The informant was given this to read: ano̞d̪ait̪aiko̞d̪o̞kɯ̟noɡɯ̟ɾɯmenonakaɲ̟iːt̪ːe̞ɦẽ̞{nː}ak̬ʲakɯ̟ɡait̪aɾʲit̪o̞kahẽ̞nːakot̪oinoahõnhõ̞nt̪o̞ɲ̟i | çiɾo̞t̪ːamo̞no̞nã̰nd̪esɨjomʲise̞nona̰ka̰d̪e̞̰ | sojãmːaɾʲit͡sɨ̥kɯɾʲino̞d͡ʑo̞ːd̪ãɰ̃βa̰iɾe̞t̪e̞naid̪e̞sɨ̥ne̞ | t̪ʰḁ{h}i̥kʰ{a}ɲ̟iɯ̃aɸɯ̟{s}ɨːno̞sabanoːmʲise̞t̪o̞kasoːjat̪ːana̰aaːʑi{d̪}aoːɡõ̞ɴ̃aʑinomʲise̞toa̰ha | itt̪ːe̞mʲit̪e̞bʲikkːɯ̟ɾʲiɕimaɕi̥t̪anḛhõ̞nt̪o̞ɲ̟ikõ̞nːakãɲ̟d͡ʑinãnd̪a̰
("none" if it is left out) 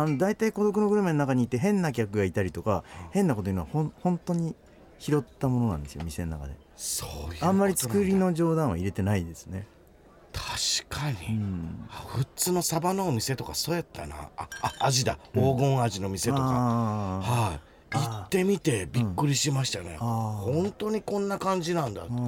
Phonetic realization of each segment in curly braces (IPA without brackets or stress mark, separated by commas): nː, ɕ, a, t͡s, d̪